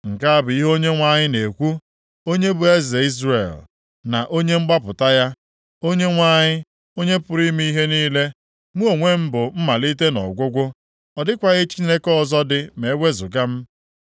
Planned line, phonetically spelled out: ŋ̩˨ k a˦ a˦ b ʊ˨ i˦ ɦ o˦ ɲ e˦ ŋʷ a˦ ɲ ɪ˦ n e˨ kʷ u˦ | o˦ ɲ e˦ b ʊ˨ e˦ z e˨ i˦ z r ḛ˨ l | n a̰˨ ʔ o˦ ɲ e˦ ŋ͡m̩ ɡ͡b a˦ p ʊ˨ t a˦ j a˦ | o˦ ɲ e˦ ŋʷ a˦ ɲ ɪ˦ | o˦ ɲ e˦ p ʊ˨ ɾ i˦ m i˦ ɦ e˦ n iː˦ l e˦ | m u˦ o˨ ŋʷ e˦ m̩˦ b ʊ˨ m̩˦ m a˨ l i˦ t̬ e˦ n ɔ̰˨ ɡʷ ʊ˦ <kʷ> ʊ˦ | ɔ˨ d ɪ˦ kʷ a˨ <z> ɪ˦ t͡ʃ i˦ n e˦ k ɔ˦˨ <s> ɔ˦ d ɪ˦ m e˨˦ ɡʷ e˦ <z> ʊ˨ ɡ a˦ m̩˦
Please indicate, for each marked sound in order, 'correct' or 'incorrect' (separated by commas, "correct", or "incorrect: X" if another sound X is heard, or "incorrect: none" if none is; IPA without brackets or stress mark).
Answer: incorrect: ɡʷ, incorrect: ɣ, incorrect: z, correct